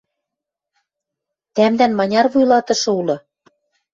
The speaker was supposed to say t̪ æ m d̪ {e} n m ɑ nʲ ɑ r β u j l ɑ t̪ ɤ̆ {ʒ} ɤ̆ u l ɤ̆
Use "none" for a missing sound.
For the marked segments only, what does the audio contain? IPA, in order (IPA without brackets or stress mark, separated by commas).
æ, ʃ